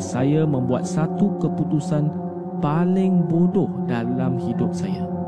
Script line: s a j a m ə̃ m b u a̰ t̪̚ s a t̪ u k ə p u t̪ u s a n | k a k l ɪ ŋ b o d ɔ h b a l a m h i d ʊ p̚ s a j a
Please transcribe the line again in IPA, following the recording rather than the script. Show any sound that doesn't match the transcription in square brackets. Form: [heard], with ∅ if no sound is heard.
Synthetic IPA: s a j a m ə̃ m b u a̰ t̪̚ s a t̪ u k ə p u t̪ u s a n | [p] a [∅] l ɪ ŋ b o d ɔ h [d] a l a m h i d ʊ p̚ s a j a